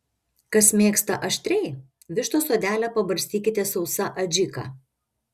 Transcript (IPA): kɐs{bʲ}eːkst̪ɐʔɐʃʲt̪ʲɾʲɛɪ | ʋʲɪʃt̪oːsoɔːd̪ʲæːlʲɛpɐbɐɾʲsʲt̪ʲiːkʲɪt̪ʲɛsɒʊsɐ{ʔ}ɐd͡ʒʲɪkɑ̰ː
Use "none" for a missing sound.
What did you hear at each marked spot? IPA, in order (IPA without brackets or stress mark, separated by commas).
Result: mʲ, ʔ